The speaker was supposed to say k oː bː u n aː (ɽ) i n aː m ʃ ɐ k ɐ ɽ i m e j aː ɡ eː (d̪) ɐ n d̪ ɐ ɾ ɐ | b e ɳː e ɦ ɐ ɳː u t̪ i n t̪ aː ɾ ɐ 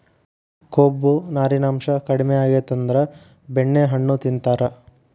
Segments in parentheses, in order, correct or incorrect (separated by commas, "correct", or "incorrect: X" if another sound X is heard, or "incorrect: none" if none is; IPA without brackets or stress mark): incorrect: ɾ, incorrect: t̪